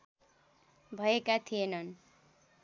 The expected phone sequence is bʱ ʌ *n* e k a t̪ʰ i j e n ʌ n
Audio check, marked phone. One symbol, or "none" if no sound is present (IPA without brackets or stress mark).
none